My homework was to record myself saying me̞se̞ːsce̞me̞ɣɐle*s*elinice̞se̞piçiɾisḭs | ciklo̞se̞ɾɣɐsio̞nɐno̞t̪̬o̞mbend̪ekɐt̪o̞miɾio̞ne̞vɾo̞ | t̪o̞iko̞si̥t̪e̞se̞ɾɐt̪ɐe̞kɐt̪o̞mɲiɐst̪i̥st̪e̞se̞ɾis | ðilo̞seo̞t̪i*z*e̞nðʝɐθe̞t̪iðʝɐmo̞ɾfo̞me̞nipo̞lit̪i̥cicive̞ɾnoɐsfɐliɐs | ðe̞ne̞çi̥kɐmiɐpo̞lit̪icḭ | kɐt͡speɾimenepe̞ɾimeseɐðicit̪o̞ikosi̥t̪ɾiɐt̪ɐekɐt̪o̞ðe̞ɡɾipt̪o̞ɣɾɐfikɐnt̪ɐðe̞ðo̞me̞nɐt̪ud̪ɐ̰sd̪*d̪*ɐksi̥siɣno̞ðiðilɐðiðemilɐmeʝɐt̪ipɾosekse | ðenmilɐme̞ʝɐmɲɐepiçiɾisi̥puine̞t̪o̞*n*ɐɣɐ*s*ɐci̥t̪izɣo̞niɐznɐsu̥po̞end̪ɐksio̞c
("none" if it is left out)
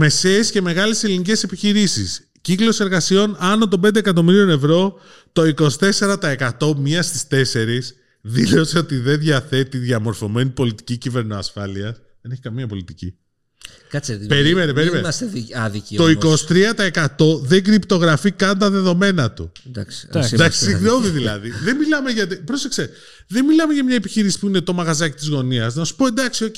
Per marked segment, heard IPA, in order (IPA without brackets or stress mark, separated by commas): s, ð, d̪, m, z